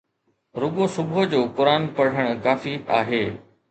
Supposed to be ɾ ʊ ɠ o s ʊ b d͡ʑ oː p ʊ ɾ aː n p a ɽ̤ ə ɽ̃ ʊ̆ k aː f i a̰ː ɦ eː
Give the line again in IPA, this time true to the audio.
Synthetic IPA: ɾ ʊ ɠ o s ʊ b d͡ʑ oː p ʊ ɾ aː n p ɐ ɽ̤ ə ɽ̃ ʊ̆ k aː f i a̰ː ɦ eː